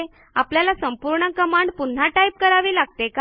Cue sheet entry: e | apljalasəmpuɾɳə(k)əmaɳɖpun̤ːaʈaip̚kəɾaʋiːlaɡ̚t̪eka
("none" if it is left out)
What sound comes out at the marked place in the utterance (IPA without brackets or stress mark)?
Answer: k